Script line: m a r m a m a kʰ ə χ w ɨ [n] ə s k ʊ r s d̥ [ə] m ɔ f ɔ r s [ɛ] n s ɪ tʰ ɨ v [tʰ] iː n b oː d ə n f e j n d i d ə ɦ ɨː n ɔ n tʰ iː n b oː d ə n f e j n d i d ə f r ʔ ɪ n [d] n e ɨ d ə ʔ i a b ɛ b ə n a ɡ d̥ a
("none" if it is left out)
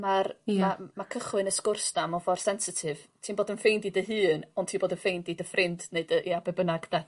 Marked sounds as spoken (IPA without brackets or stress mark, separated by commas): n, a, ɛ, tʰ, d